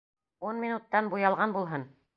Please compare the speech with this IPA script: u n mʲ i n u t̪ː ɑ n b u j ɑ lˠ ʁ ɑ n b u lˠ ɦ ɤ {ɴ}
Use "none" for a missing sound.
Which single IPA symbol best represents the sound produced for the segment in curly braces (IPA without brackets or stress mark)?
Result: n